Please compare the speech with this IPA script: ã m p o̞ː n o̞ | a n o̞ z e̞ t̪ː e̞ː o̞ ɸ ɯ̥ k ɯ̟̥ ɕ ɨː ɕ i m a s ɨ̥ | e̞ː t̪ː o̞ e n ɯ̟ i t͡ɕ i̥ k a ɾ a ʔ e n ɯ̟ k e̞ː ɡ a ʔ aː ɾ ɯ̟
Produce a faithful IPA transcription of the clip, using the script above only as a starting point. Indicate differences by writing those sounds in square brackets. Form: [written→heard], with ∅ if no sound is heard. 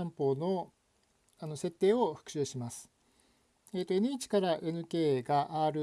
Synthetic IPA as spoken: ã m p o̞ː n o̞ | a n o̞ [z→s] e̞ t̪ː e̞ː o̞ ɸ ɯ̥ k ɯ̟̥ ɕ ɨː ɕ i m a s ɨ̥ | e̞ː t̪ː o̞ e n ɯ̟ i t͡ɕ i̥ k a ɾ a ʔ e n ɯ̟ k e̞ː ɡ a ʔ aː ɾ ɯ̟